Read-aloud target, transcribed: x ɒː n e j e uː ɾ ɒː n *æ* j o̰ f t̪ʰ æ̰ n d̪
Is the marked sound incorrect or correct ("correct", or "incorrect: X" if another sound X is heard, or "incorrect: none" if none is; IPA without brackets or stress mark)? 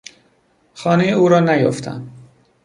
correct